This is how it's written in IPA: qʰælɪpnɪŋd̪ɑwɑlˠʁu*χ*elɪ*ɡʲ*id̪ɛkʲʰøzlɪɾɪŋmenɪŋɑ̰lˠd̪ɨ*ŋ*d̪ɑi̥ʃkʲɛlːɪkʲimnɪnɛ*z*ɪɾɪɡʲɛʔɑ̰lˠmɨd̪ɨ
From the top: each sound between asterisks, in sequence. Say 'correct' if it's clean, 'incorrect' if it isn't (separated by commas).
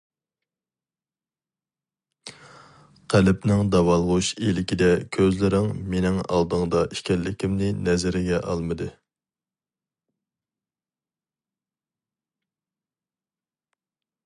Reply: incorrect, incorrect, correct, correct